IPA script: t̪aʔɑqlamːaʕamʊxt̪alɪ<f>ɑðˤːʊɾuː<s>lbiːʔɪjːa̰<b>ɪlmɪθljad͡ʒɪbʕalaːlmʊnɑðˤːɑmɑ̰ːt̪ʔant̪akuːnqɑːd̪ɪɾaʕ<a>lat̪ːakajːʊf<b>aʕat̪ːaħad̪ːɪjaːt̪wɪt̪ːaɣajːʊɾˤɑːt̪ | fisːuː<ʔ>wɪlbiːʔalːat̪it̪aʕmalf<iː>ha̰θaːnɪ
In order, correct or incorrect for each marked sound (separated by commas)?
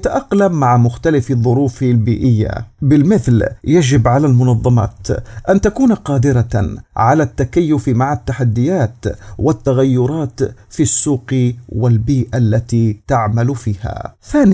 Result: correct, incorrect, correct, correct, incorrect, incorrect, correct